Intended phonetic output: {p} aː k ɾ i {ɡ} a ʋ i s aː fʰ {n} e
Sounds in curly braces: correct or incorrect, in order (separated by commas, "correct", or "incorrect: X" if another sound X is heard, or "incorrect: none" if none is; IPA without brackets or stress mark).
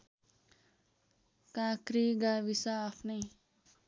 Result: incorrect: k, correct, correct